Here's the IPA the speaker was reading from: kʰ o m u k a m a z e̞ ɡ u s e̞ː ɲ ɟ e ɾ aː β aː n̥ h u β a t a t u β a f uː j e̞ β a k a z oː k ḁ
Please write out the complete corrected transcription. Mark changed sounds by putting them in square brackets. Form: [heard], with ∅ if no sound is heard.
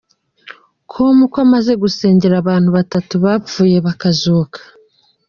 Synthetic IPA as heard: kʰ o m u k a m a z e̞ ɡ u s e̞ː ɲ ɟ e ɾ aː β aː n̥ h u β a t a t u β a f uː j e̞ β a k a z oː k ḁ